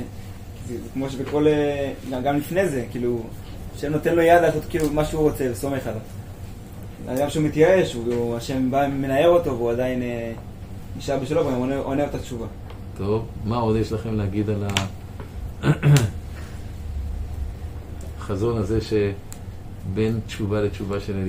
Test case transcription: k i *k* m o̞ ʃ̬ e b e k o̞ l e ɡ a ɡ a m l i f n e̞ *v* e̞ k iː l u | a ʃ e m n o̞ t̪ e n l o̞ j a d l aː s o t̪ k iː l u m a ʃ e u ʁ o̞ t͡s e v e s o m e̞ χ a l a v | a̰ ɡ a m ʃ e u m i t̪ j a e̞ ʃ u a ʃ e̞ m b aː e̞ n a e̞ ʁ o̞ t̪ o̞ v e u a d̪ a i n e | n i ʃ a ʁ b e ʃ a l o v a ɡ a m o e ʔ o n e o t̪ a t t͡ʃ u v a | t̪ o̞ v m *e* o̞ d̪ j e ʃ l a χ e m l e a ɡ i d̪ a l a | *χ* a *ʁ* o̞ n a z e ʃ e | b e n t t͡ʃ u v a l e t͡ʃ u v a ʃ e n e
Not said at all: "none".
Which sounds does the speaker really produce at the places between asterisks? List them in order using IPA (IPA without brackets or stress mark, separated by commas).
k, z, a, χ, z